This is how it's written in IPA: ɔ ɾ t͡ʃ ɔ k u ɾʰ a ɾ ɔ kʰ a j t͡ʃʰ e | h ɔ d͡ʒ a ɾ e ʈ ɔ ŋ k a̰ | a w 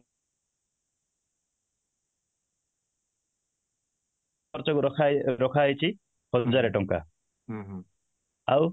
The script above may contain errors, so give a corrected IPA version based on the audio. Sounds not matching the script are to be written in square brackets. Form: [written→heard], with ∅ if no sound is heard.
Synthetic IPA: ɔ ɾ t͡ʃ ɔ k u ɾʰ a ɾ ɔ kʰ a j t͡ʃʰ [e→i] | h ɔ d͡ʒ a ɾ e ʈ ɔ ŋ k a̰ | a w